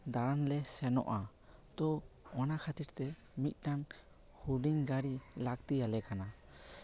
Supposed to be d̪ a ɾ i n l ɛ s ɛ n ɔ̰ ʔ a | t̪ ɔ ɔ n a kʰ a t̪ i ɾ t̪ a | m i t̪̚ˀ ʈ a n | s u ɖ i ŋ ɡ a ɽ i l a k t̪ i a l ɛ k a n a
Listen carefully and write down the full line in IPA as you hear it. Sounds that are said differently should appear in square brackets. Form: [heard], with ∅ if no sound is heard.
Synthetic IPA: d̪ a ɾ [a] n l ɛ s ɛ n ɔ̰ ʔ a | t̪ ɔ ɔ n a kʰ a t̪ i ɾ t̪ [ɛ] | m i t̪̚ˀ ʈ a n | [h] u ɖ i ŋ ɡ a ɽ i l a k t̪ i a l ɛ k a n a